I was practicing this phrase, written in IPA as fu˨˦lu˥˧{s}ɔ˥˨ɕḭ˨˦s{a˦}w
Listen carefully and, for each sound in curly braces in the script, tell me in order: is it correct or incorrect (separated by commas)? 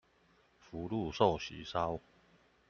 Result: correct, correct